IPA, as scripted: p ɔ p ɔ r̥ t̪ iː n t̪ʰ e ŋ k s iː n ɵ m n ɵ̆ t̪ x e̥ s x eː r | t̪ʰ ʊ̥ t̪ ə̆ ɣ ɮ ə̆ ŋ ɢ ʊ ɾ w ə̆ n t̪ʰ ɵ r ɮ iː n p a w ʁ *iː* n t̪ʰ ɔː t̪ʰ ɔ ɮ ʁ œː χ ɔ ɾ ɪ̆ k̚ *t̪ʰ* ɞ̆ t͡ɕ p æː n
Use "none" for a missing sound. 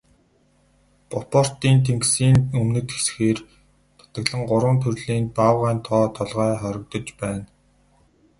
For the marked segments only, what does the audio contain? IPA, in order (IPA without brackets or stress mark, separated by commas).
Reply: æː, t̪